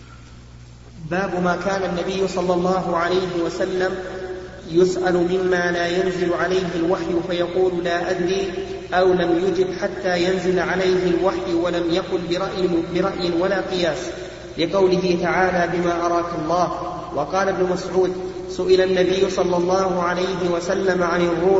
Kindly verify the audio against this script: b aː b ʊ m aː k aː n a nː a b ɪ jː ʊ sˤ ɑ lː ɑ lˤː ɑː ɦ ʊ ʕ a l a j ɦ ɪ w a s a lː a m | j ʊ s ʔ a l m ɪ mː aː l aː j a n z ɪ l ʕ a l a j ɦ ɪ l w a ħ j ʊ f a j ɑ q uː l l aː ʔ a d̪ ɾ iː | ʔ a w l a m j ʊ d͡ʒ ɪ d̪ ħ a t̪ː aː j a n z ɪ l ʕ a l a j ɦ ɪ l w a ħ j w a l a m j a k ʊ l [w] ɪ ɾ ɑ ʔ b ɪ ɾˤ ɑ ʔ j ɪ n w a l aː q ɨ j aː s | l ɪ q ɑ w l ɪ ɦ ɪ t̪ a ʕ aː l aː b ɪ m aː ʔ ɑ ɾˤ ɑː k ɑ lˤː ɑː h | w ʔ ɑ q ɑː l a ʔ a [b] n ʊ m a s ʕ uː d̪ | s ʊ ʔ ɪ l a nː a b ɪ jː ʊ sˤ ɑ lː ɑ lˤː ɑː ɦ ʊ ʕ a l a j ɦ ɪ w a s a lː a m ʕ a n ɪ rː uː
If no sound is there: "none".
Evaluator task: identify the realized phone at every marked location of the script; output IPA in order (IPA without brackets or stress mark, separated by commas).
b, b